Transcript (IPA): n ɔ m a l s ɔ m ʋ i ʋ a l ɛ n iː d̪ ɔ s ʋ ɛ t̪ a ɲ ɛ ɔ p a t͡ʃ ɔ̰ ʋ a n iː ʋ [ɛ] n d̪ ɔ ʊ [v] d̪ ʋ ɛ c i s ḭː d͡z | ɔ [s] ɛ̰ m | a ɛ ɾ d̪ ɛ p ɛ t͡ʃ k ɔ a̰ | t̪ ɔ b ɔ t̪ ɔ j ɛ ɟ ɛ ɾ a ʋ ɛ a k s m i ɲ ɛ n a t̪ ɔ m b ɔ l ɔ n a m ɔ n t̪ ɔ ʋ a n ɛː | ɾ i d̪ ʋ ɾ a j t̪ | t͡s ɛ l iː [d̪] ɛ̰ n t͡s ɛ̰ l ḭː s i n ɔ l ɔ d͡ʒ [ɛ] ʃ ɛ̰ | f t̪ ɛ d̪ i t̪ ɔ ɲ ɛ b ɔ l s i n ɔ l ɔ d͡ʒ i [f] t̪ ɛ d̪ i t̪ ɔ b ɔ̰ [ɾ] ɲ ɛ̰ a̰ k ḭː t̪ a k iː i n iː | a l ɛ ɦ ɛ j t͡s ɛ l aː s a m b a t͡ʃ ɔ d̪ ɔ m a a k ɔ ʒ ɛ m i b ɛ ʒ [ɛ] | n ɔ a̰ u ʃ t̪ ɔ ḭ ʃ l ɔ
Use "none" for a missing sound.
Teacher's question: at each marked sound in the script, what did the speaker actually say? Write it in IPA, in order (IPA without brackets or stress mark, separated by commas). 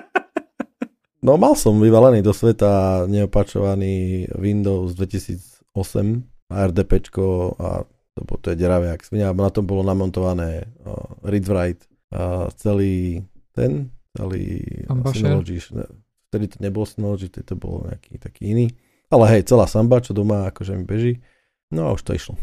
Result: i, z, s, t̪, i, f, l, i